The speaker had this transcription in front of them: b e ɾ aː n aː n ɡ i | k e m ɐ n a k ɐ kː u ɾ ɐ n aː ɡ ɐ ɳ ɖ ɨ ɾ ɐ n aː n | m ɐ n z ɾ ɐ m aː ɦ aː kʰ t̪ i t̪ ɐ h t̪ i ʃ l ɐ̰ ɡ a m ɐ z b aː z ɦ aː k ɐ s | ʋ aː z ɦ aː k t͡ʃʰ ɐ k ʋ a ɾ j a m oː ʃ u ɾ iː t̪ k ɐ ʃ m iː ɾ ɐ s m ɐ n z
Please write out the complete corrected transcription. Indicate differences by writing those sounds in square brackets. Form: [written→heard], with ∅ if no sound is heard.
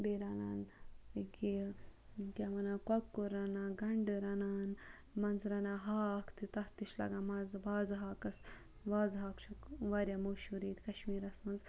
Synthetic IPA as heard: b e ɾ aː n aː n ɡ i | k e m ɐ n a k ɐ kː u ɾ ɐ n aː ɡ ɐ ɳ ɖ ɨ ɾ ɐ n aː n | m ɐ n z ɾ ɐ [m→n] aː ɦ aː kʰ t̪ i t̪ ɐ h t̪ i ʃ l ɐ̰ ɡ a m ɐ z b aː z ɦ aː k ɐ s | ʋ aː z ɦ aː k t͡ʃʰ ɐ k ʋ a ɾ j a m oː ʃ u ɾ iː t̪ k ɐ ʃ m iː ɾ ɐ s m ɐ n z